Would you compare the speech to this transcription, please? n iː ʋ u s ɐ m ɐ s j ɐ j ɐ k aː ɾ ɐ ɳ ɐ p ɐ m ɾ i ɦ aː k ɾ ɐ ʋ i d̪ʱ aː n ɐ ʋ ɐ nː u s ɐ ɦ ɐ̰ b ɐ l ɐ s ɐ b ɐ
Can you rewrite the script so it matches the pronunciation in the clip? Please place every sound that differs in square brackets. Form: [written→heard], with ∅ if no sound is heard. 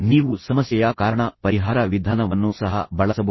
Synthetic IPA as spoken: n iː ʋ u s ɐ m ɐ s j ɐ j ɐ k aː ɾ ɐ ɳ ɐ p ɐ [m→∅] ɾ i ɦ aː [k→∅] ɾ ɐ ʋ i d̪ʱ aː n ɐ ʋ ɐ nː u s ɐ ɦ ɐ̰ b ɐ [l→ɭ] ɐ s ɐ b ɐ